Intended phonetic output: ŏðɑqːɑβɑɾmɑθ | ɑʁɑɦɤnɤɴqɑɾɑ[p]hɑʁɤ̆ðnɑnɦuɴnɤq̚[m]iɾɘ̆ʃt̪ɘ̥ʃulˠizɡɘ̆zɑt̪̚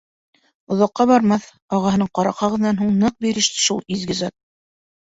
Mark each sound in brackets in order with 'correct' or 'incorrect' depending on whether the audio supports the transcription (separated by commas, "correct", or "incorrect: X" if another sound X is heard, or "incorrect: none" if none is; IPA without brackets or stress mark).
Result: incorrect: q, incorrect: b